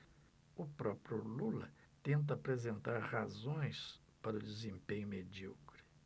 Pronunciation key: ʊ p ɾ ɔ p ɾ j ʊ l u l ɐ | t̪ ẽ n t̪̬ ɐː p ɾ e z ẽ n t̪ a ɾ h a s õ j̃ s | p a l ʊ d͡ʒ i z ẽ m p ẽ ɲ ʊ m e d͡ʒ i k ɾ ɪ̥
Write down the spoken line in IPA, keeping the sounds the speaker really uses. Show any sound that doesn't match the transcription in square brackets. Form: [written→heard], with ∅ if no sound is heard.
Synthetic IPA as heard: ʊ p ɾ ɔ p ɾ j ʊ l u l ɐ | t̪ ẽ n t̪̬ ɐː p ɾ e z ẽ n t̪ a ɾ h a [s→z] õ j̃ s | p a [l→ɾ] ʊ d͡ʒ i z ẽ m p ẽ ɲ ʊ m e d͡ʒ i k ɾ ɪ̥

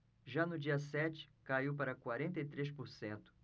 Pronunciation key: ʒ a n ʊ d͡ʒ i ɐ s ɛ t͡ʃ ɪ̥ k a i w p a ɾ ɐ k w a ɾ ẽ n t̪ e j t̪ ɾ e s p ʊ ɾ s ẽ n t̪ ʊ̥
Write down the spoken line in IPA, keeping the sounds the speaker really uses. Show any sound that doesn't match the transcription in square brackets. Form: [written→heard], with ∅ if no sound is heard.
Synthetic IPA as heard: ʒ a n ʊ d͡ʒ i ɐ s ɛ t͡ʃ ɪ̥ k a i w p a ɾ ɐ k w a ɾ ẽ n t̪ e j t̪ ɾ e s p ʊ ɾ s ẽ n t̪ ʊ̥

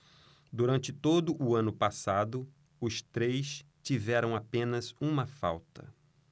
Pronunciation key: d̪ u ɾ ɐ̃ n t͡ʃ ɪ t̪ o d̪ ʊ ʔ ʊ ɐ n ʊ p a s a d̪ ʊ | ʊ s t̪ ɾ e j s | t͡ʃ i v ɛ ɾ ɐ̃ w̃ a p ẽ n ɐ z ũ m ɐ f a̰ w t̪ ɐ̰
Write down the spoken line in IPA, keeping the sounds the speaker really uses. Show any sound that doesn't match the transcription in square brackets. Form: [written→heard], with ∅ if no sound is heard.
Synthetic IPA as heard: d̪ u ɾ ɐ̃ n t͡ʃ ɪ t̪ o d̪ ʊ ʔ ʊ [ɐ→ɐ̃] n ʊ p a s a d̪ ʊ | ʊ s t̪ ɾ e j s | t͡ʃ i v ɛ ɾ ɐ̃ w̃ a p ẽ n ɐ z ũ m ɐ f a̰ w t̪ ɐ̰

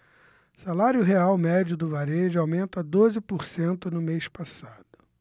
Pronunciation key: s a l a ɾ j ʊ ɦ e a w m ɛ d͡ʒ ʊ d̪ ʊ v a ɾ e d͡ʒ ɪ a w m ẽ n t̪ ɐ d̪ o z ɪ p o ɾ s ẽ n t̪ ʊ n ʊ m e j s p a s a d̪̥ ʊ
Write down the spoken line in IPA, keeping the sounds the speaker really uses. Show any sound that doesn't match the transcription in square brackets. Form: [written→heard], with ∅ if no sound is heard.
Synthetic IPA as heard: s a l a ɾ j ʊ ɦ e a w m ɛ d͡ʒ ʊ d̪ ʊ v a ɾ e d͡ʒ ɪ a w m ẽ n t̪ ɐ d̪ o z ɪ p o ɾ s ẽ n t̪ ʊ n ʊ m e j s p a s a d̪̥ ʊ

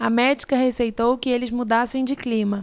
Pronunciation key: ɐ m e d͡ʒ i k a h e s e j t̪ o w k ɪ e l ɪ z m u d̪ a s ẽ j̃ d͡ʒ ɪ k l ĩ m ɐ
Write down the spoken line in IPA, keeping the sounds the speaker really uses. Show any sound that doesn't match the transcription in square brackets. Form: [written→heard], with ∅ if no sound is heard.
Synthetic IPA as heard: ɐ m [e→ɛ] d͡ʒ i k [a→ɐ] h e s e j t̪ o w k ɪ e l ɪ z m u d̪ a s ẽ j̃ d͡ʒ ɪ k l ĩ m ɐ

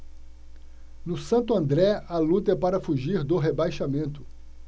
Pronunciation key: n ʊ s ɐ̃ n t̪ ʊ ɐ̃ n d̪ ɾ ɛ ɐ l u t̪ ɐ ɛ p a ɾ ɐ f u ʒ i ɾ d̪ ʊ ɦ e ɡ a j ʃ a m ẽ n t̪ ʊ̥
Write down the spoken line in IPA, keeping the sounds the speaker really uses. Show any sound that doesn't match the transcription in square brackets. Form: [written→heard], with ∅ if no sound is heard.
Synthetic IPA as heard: n ʊ s ɐ̃ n t̪ ʊ ɐ̃ n d̪ ɾ ɛ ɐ l u t̪ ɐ ɛ p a ɾ ɐ f u ʒ i ɾ d̪ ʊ ɦ e [ɡ→b] a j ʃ a m ẽ n t̪ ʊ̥

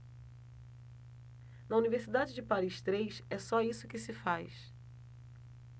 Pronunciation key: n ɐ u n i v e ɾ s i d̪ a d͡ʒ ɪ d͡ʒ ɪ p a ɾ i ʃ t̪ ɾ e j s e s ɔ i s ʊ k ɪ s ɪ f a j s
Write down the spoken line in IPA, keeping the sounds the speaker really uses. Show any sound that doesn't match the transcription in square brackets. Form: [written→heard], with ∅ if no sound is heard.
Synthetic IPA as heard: n ɐ u n i v e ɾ s i d̪ a d͡ʒ ɪ d͡ʒ ɪ p a ɾ i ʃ t̪ ɾ e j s [e→ɛ] s ɔ i s ʊ k ɪ s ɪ f a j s

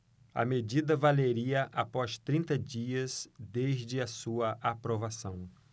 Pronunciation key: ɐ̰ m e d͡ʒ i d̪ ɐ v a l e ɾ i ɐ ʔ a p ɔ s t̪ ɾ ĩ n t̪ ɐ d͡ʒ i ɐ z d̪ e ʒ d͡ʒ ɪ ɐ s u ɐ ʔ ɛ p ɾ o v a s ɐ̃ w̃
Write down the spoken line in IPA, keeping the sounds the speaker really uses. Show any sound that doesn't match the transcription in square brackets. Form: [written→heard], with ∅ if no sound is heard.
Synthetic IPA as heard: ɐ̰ m e d͡ʒ i d̪ ɐ v a l e ɾ i ɐ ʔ a p ɔ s t̪ ɾ ĩ n t̪ ɐ d͡ʒ i ɐ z d̪ e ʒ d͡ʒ ɪ ɐ s u ɐ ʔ [ɛ→a] p ɾ o v a s ɐ̃ w̃

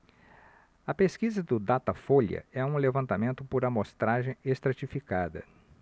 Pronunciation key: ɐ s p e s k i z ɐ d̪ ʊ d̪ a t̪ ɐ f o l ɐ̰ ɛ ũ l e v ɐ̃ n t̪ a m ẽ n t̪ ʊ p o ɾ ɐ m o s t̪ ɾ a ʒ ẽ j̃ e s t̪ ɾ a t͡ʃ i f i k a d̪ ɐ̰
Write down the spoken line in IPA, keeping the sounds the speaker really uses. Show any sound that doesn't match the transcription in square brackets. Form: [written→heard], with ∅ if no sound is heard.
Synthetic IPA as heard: ɐ [s→∅] p e s k i z ɐ d̪ ʊ d̪ a t̪ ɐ f o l ɐ̰ ɛ ũ l e v ɐ̃ n t̪ a m ẽ n t̪ ʊ p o ɾ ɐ m o s t̪ ɾ a ʒ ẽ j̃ e s t̪ ɾ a t͡ʃ i f i k a d̪ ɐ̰

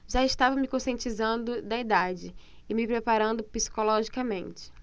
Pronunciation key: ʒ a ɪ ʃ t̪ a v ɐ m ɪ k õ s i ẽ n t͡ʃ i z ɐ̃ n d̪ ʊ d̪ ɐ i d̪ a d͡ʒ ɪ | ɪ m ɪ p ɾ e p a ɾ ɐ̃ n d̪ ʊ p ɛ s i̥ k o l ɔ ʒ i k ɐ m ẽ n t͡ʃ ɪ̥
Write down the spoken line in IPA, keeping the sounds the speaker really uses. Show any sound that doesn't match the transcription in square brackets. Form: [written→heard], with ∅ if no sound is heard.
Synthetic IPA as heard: ʒ a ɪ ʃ t̪ a v ɐ m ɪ k õ s i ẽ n t͡ʃ i z ɐ̃ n d̪ ʊ d̪ ɐ i d̪ a d͡ʒ ɪ | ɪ m ɪ p ɾ e p a ɾ ɐ̃ n d̪ ʊ p [ɛ→i] s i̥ k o l ɔ ʒ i k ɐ m ẽ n t͡ʃ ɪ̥

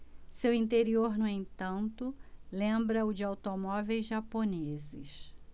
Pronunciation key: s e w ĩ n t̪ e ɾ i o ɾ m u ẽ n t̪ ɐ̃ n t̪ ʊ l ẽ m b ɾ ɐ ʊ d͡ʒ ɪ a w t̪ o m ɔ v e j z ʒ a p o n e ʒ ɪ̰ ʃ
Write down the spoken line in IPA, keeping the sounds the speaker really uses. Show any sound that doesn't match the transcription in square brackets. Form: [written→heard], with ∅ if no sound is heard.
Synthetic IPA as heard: s e w ĩ n t̪ e ɾ i o ɾ [m→n] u ẽ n t̪ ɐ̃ n t̪ ʊ l ẽ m b ɾ ɐ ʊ d͡ʒ ɪ a w t̪ o m ɔ v e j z ʒ a p o n e [ʒ→z] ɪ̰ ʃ

